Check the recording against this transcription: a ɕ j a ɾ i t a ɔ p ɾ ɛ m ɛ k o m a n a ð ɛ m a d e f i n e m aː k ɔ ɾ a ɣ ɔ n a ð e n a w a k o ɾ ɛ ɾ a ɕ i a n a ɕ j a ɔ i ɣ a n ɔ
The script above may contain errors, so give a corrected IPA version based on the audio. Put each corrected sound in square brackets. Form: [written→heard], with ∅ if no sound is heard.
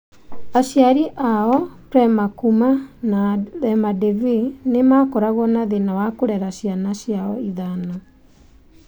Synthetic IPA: a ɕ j a ɾ i [t→ʔ] a ɔ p ɾ ɛ m [ɛ→a] k [o→u] m a n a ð ɛ m a d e [f→v] i n e m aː k ɔ ɾ a ɣ ɔ n a ð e n a w a k o ɾ ɛ ɾ a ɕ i a n a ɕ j a ɔ i [ɣ→ð] a n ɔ